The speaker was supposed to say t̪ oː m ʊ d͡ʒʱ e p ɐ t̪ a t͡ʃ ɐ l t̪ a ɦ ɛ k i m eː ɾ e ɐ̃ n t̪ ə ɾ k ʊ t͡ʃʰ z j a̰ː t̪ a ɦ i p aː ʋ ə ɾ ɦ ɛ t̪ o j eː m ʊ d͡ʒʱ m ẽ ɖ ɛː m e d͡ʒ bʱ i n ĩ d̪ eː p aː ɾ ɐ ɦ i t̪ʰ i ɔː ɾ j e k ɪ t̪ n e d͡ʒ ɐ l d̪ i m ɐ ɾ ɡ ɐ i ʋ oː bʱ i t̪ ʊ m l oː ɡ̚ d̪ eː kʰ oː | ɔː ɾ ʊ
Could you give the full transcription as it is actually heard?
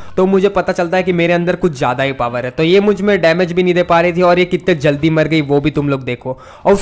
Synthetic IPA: t̪ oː m ʊ d͡ʒʱ e p ɐ t̪ a t͡ʃ ɐ l t̪ a ɦ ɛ k i m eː ɾ e ɐ̃ n d̪ ə ɾ k ʊ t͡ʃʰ z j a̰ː d̪ a ɦ i p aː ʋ ə ɾ ɦ ɛ t̪ o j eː m ʊ d͡ʒʱ m ẽ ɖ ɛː m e d͡ʒ bʱ i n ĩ d̪ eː p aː ɾ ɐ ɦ i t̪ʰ i ɔː ɾ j e k ɪ t̪ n e d͡ʒ ɐ l d̪ i m ɐ ɾ ɡ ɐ i ʋ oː bʱ i t̪ ʊ m l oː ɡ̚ d̪ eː kʰ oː | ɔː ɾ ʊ